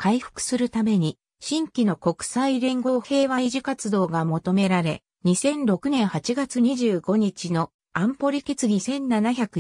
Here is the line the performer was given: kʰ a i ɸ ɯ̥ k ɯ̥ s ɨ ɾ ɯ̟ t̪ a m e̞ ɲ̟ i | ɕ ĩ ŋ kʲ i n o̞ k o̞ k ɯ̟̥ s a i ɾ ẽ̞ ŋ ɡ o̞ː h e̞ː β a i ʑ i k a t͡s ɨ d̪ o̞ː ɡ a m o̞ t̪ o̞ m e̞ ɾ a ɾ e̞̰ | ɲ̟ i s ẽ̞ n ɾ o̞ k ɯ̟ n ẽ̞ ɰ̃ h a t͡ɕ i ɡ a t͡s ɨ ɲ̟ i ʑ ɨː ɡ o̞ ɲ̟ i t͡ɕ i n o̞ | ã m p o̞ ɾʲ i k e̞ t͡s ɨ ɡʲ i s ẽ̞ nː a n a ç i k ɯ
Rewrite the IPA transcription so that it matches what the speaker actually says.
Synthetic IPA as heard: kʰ a i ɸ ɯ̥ k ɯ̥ s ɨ ɾ ɯ̟ t̪ a m e̞ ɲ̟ i | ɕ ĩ ŋ kʲ i n o̞ k o̞ k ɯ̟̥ s a i ɾ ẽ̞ ŋ ɡ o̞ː h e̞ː β a i ʑ i k a t͡s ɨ d̪ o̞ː ɡ a m o̞ t̪ o̞ m e̞ ɾ a ɾ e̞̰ | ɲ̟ i s ẽ̞ n ɾ o̞ k ɯ̟ n ẽ̞ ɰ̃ h a t͡ɕ i ɡ a t͡s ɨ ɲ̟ i ʑ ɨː ɡ o̞ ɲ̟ i t͡ɕ i n o̞ | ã m p o̞ ɾʲ i k e̞ t͡s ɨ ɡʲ i s ẽ̞ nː a n a ç a k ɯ